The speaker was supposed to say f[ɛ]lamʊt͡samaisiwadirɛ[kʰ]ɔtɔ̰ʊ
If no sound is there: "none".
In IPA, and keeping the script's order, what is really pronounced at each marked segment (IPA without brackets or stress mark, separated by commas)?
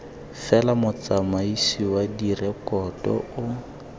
ɛ, k